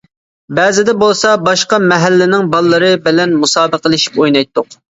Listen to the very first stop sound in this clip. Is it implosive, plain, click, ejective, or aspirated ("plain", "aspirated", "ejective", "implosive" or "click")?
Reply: plain